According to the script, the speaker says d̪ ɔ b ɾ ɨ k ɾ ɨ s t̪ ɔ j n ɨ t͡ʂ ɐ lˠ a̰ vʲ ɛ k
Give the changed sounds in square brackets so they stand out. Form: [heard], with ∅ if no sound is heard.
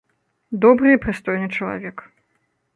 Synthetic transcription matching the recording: d̪ ɔ b ɾ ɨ [p] ɾ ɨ s t̪ ɔ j n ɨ t͡ʂ ɐ lˠ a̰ vʲ ɛ k